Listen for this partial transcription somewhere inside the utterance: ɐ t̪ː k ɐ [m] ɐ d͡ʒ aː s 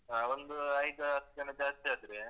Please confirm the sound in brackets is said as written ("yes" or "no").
no